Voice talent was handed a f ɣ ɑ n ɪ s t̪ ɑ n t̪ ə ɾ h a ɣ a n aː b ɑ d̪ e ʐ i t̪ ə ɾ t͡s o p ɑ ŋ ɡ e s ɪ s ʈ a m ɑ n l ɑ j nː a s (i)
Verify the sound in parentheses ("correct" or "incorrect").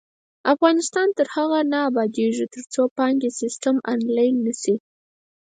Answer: correct